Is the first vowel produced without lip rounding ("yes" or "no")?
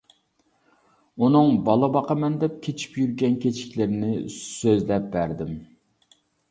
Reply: no